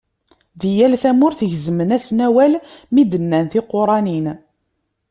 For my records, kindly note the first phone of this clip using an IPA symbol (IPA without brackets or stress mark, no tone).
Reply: ð